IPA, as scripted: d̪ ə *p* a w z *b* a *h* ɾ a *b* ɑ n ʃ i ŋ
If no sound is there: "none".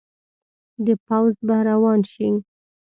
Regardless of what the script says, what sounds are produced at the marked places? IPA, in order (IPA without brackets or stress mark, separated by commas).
p, b, h, w